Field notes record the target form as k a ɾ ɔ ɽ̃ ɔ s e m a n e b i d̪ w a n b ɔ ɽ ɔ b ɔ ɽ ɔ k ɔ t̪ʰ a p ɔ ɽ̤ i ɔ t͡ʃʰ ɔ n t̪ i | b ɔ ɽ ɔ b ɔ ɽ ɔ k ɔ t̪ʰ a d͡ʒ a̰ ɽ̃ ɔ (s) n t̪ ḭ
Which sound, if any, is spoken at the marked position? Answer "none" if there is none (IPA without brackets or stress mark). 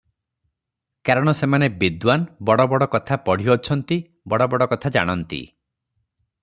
none